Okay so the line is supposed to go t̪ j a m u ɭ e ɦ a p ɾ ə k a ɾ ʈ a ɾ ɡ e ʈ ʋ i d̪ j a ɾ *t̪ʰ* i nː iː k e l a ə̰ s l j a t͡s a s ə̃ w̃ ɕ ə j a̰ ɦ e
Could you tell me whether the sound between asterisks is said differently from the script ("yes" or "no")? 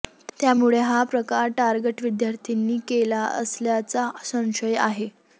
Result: no